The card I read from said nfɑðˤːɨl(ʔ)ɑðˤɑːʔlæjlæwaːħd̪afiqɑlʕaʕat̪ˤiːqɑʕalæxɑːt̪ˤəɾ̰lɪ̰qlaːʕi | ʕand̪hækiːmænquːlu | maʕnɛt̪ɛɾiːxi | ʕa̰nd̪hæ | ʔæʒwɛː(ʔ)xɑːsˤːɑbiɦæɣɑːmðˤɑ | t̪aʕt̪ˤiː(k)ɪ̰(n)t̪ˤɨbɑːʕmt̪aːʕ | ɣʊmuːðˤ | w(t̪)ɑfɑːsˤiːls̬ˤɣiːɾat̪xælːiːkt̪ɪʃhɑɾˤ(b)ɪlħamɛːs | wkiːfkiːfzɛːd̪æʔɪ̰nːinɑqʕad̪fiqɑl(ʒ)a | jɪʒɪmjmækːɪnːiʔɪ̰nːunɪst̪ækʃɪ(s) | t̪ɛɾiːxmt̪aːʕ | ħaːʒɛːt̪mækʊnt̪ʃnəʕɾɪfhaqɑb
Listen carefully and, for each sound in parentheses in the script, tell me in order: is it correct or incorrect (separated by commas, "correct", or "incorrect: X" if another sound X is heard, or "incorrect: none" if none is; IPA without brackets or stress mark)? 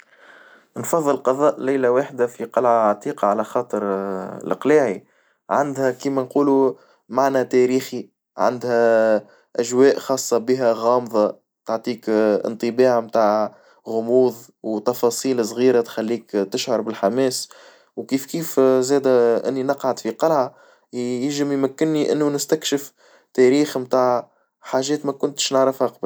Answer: incorrect: q, correct, correct, correct, correct, correct, incorrect: ʕ, incorrect: f